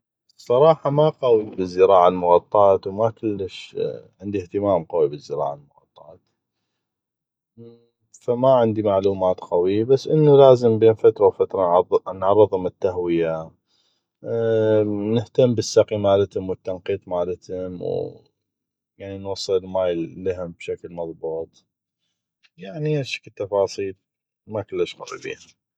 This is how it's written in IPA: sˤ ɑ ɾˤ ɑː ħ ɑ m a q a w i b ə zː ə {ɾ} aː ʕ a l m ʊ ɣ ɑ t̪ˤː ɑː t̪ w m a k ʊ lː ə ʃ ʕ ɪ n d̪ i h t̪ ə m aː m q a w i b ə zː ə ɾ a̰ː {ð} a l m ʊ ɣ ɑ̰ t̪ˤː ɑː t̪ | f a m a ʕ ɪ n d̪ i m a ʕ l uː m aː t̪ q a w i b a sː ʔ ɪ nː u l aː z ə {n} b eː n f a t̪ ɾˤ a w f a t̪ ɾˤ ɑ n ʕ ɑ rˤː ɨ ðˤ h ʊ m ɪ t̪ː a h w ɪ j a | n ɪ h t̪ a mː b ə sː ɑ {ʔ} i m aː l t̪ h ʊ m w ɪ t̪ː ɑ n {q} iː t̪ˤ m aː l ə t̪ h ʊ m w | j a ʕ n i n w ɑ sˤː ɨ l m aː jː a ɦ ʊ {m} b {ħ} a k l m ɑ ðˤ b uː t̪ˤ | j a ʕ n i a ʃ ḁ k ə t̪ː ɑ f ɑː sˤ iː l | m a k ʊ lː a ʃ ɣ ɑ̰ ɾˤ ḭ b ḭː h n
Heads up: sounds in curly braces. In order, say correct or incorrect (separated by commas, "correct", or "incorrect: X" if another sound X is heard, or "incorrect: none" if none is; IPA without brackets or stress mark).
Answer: correct, incorrect: ʕ, incorrect: m, incorrect: q, correct, correct, incorrect: ʃ